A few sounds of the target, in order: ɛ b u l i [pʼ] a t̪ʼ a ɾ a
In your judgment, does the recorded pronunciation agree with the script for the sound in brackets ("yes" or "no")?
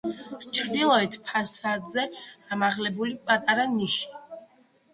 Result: yes